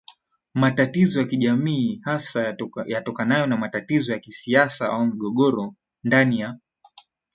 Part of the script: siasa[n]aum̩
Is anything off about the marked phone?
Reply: yes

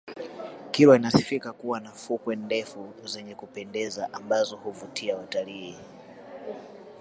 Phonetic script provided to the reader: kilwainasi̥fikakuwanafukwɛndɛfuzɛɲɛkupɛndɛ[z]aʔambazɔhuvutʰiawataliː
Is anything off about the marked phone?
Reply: no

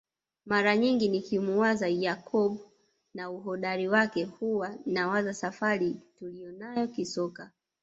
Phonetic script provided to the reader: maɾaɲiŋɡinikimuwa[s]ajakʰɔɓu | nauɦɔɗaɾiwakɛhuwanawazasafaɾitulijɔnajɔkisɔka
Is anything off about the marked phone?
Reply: yes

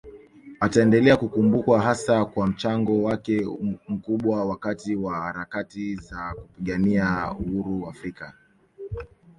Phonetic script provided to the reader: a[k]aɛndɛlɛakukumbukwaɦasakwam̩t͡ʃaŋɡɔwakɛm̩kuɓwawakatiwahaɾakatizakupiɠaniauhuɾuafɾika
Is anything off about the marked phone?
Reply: yes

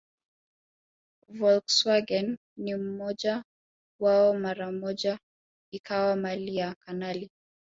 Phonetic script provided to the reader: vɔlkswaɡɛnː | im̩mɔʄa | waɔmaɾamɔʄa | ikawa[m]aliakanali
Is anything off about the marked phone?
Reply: no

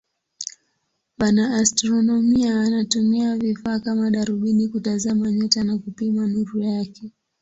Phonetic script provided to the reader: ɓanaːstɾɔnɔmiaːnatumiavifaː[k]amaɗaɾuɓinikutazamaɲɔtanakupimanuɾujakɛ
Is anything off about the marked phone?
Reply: no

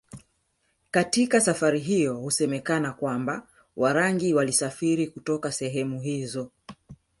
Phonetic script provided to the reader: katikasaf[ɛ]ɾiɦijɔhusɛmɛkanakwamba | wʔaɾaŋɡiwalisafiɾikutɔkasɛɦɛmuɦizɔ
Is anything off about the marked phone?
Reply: yes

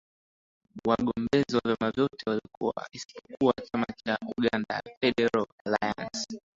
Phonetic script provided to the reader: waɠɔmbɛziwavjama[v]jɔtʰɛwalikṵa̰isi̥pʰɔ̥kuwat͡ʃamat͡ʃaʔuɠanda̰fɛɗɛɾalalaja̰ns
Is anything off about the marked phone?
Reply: no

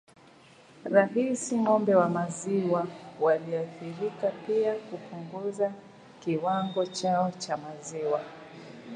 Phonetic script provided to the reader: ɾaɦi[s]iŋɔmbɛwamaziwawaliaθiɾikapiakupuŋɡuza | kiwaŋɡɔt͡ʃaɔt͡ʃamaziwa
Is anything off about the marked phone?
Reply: no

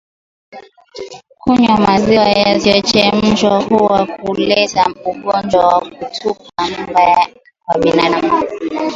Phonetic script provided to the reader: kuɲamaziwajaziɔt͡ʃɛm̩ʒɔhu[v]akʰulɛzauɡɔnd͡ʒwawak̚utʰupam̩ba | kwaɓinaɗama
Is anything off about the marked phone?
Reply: yes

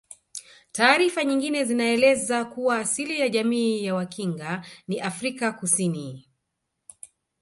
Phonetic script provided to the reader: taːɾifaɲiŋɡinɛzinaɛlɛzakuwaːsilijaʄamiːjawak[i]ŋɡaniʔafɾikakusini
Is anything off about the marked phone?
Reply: no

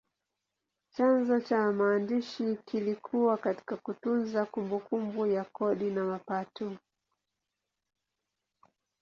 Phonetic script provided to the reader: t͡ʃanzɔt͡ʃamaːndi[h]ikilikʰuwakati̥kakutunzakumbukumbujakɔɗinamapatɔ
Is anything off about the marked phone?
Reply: yes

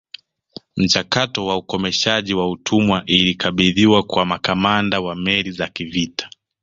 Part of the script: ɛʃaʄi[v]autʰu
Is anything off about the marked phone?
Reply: yes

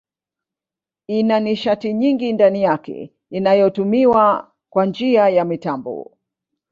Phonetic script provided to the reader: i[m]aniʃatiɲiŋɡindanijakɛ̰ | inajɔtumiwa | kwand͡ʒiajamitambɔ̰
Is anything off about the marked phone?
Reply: yes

